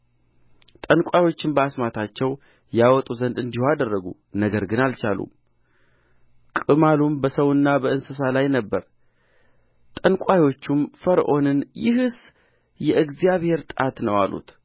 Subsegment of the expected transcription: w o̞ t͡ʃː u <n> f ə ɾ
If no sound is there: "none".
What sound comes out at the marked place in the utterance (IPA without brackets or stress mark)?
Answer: m